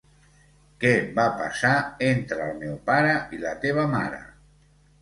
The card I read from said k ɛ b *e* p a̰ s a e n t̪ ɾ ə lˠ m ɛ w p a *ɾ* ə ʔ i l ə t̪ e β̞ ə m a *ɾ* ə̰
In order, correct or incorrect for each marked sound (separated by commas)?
incorrect, correct, correct